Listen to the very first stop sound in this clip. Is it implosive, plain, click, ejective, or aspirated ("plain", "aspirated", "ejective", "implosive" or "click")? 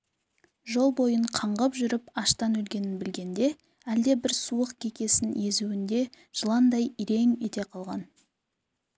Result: plain